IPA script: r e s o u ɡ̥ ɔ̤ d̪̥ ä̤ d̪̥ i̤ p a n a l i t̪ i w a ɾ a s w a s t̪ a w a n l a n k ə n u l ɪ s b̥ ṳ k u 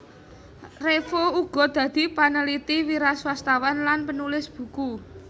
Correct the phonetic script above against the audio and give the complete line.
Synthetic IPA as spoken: r e f o u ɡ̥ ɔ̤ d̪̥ ä̤ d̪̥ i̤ p a n ə l i t̪ i w i ɾ a s w a s t̪ a w a n l a n p ə n u l ɪ s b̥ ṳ k u